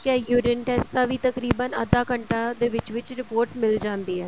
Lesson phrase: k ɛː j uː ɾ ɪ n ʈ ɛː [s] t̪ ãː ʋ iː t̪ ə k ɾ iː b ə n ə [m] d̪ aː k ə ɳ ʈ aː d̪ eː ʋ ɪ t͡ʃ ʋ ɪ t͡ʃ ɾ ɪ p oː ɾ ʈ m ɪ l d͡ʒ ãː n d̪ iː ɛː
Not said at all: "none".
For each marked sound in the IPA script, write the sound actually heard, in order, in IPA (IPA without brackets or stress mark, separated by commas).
s, none